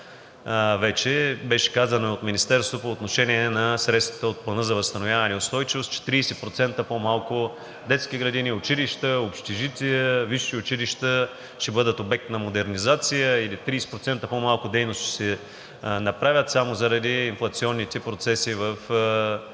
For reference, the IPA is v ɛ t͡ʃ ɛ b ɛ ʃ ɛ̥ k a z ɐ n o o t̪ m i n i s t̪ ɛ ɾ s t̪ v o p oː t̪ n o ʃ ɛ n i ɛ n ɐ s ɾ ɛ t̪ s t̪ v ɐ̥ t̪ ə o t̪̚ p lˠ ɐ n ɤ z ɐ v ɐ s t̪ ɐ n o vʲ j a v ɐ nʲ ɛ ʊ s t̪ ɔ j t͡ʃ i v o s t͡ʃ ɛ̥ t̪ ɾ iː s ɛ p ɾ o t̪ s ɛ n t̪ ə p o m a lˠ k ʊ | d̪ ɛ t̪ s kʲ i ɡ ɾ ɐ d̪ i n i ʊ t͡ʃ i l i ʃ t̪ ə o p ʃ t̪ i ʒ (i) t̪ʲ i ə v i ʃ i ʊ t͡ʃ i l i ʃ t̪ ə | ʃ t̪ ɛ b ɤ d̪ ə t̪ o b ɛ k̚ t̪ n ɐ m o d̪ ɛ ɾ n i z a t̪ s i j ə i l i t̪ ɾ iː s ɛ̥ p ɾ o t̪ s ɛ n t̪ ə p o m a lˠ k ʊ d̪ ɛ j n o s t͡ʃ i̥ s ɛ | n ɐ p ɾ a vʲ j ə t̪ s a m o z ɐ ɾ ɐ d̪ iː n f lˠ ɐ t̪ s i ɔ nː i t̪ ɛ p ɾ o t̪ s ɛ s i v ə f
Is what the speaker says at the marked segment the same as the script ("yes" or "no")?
yes